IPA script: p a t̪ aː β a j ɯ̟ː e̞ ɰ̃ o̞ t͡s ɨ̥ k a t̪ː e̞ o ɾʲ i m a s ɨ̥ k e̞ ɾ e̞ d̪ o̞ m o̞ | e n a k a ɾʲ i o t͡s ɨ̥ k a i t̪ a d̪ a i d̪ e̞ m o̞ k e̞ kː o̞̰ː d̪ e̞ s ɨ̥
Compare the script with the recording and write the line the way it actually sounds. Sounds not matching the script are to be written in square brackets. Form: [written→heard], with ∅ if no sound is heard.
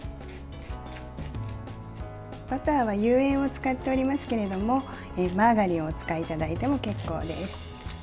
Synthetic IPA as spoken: p a t̪ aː β a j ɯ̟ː [e̞→ẽ̞] ɰ̃ o̞ t͡s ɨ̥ k a t̪ː e̞ o ɾʲ i m a s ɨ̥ k e̞ ɾ e̞ d̪ o̞ m o̞ | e [n→m] a [k→ɡ] a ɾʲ i o t͡s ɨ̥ k a i t̪ a d̪ a i [d̪→t̪] e̞ m o̞ k e̞ kː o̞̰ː d̪ e̞ s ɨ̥